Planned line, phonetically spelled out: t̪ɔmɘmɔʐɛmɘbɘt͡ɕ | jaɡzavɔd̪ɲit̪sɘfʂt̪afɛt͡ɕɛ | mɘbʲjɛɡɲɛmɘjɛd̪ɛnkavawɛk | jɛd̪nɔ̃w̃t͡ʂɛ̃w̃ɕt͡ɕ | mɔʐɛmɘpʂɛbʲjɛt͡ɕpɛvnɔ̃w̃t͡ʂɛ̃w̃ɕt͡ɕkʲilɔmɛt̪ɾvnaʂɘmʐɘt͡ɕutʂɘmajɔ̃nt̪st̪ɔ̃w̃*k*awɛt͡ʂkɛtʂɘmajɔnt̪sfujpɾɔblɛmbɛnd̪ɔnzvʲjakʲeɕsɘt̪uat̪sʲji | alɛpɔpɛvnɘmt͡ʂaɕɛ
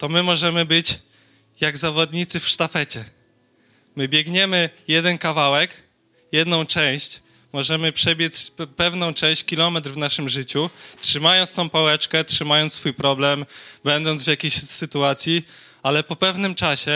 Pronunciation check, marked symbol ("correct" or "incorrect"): incorrect